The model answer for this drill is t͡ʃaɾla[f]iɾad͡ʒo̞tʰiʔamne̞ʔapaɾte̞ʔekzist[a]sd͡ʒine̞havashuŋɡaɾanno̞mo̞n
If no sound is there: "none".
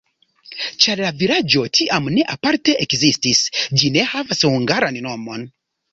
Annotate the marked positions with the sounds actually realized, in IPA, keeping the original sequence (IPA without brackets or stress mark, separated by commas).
v, i